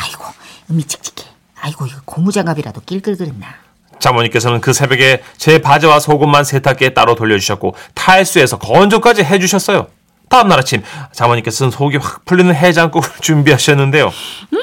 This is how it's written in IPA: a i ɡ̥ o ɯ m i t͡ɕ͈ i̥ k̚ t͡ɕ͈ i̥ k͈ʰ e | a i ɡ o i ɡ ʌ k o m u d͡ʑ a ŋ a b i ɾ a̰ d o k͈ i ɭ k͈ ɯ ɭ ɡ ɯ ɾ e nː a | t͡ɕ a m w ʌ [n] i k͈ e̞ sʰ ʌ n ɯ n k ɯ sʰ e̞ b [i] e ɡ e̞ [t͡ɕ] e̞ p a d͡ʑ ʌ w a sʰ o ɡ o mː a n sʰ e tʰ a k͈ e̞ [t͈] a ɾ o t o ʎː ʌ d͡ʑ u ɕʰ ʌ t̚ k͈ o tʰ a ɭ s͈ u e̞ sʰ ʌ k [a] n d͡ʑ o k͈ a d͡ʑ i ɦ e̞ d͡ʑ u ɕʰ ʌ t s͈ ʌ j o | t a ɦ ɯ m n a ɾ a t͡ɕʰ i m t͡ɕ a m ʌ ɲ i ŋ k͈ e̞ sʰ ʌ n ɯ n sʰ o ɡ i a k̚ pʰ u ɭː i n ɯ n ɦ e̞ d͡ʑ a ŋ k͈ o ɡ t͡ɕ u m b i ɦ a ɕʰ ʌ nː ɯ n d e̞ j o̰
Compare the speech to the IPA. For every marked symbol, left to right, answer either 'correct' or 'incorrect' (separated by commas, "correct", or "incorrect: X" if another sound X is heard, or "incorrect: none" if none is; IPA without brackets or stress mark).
incorrect: ɲ, incorrect: j, correct, correct, incorrect: ʌ